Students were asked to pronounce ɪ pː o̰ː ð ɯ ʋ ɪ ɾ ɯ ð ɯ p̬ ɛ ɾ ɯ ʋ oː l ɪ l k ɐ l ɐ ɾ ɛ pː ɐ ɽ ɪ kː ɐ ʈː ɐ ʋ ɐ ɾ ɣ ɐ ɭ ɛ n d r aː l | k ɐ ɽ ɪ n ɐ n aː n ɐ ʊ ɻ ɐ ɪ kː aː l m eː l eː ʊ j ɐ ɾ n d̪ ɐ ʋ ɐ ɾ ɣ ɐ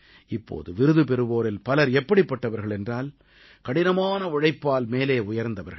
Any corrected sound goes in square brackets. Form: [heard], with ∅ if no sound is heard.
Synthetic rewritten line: ɪ pː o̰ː ð ɯ ʋ ɪ ɾ ɯ ð ɯ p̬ ɛ ɾ ɯ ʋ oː [ɾ] ɪ l [p] ɐ l ɐ ɾ ɛ pː ɐ ɽ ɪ [pː] ɐ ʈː ɐ ʋ ɐ ɾ ɣ ɐ ɭ ɛ n d r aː l | k ɐ ɽ ɪ n ɐ [m] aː n ɐ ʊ ɻ ɐ ɪ [pː] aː l m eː l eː ʊ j ɐ ɾ n d̪ ɐ ʋ ɐ ɾ ɣ ɐ